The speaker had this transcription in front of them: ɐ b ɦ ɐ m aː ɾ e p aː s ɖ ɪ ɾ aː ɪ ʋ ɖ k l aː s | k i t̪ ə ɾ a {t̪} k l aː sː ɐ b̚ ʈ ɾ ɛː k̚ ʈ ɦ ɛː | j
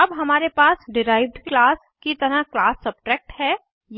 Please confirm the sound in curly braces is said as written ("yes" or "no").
no